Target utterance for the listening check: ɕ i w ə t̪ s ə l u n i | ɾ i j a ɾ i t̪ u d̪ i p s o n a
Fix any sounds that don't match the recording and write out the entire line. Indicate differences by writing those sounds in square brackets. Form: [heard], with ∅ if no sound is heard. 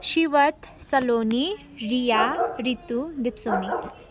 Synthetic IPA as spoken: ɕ i [ʋ] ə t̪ s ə l [o] n i | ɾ i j a ɾ i t̪ u d̪ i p s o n [i]